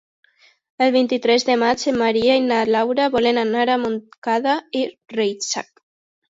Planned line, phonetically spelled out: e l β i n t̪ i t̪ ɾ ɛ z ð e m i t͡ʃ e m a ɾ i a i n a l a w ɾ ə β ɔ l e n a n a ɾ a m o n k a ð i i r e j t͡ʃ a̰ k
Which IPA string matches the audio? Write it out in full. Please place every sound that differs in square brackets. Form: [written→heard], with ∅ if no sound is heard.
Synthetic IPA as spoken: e l β i n t̪ i t̪ ɾ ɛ z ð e m [i→a] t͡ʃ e m a ɾ i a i n a l a w ɾ [ə→a] β ɔ l e n a n a ɾ a m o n k a ð [i→a] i r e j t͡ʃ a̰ k